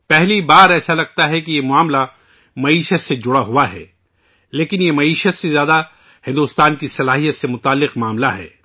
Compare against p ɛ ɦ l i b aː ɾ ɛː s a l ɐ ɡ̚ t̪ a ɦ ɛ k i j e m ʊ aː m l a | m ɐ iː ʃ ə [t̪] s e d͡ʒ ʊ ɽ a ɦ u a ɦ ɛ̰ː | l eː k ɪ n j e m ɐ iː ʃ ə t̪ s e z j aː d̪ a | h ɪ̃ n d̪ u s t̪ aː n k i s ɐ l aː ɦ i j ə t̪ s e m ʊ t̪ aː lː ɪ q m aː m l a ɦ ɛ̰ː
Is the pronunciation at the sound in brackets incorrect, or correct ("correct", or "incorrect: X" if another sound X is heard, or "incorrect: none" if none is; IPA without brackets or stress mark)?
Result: correct